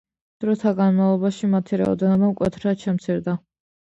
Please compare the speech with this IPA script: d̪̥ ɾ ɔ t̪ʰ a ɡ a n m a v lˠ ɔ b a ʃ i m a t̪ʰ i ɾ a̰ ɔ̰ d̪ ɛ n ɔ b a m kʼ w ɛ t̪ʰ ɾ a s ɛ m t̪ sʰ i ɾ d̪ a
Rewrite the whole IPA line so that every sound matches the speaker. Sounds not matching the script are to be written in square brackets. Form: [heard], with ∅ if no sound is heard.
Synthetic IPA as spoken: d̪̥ ɾ ɔ t̪ʰ a ɡ a n m a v lˠ ɔ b a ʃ i m a t̪ʰ i ɾ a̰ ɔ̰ d̪ ɛ n ɔ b a m kʼ w ɛ t̪ʰ ɾ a [ʃ] ɛ m t̪ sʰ i ɾ d̪ a